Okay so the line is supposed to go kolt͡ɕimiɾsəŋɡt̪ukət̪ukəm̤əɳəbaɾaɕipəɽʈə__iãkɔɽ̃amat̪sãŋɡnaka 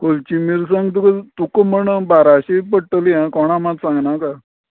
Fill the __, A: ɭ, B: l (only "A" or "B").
B